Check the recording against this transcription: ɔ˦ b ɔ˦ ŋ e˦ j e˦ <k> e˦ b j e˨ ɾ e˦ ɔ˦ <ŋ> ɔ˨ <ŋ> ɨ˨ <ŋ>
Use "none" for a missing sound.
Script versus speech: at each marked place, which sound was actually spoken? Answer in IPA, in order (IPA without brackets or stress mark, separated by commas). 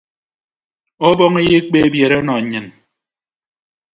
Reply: k͡p, n, ɲ, n